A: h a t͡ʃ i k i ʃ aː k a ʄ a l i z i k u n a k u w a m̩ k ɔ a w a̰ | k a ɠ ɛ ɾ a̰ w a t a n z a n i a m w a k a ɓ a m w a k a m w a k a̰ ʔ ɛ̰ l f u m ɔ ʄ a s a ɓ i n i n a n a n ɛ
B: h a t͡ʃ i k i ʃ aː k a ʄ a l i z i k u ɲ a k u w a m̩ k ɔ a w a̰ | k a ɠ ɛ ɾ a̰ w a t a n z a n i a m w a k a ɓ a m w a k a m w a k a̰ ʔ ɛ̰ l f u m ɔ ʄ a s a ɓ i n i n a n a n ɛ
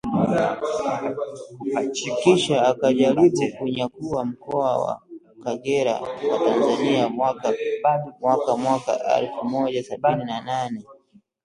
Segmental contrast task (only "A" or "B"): B